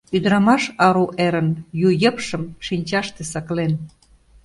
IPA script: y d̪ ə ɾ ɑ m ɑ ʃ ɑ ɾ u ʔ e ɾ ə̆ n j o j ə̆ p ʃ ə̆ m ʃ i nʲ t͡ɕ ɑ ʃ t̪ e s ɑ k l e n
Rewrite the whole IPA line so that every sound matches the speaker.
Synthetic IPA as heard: y d̪ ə ɾ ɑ m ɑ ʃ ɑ ɾ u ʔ e ɾ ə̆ n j u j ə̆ p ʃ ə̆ m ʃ i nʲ t͡ɕ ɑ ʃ t̪ e s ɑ k l e n